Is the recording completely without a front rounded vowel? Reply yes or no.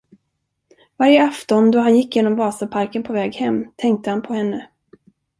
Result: yes